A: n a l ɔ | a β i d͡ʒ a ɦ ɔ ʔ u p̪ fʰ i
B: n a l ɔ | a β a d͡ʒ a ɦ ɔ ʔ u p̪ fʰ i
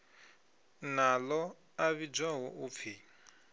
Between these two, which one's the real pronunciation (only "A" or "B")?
A